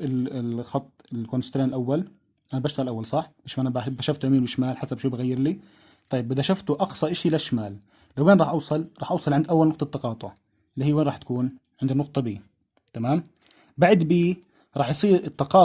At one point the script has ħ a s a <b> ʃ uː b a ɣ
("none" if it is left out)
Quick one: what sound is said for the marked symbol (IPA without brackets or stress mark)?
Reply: b